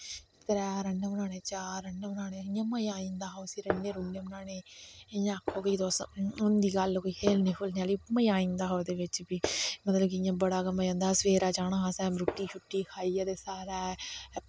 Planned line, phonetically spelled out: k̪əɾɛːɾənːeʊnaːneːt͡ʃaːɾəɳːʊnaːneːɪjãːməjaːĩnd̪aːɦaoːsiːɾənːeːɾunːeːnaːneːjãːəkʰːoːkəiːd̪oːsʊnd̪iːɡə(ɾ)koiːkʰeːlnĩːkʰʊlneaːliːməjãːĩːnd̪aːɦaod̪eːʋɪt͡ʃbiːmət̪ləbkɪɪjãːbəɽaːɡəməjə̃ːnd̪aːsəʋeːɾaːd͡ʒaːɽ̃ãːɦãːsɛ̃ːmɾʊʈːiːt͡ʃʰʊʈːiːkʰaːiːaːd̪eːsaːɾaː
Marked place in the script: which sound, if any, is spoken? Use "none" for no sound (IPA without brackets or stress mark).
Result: l